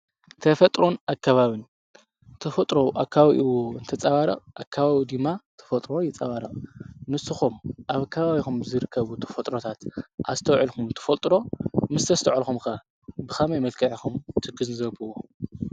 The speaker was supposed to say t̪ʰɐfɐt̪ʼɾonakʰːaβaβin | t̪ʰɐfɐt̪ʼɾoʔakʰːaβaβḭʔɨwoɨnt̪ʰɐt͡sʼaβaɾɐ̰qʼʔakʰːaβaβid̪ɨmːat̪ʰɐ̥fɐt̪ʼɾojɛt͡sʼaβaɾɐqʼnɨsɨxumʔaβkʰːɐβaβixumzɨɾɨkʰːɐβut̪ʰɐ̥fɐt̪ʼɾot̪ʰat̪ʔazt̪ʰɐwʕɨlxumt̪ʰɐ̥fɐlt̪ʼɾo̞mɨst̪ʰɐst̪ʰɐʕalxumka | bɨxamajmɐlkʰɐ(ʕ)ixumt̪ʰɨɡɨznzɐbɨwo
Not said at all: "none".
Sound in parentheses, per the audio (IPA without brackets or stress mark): ʕ